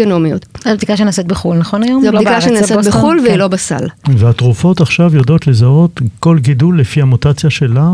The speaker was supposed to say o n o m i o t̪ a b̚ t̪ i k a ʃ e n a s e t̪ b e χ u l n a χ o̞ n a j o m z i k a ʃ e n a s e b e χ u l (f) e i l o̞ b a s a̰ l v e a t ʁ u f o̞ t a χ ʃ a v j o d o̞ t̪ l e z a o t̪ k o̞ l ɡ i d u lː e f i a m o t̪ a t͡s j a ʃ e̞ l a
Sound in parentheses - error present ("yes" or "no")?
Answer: yes